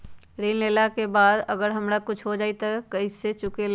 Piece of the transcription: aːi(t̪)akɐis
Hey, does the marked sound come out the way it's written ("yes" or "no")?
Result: yes